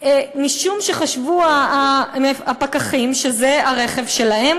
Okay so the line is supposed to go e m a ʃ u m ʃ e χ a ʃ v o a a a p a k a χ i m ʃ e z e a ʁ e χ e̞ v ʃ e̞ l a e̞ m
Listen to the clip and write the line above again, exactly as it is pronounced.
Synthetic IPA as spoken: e m i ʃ u m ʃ e χ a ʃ v u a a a p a k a χ i m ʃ e z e a ʁ e χ e̞ v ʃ e̞ l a e̞ m